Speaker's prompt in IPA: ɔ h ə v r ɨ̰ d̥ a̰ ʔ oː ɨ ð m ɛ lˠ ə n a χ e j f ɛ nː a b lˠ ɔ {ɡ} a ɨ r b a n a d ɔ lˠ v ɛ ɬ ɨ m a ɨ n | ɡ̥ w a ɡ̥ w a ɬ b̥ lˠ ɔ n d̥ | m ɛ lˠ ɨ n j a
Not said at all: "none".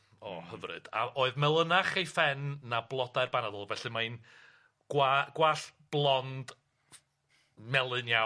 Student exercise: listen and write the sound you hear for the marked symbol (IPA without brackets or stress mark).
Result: d